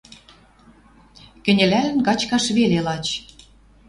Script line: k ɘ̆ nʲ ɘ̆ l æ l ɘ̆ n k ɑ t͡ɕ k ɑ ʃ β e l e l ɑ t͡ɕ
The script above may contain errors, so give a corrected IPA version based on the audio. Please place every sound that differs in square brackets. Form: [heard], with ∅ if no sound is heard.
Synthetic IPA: k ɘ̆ nʲ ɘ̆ l æ l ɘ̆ n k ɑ t͡ɕ k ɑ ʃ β e l e l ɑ t͡ɕ